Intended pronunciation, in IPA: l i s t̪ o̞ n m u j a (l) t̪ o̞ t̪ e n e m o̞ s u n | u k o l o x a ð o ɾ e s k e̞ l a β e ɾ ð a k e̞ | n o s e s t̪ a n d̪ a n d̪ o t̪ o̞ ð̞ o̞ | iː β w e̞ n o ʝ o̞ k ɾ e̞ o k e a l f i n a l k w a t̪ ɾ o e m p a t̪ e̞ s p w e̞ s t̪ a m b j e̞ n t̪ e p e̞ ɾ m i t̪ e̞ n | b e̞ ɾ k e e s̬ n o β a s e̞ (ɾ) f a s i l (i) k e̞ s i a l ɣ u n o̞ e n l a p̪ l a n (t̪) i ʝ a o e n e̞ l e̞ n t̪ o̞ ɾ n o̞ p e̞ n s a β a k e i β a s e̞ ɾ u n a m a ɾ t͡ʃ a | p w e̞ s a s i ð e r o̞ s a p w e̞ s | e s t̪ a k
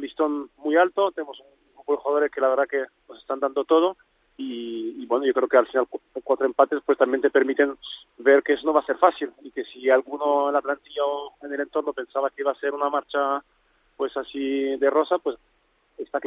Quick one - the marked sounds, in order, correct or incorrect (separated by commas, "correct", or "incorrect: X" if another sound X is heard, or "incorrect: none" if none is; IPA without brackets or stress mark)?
correct, correct, correct, correct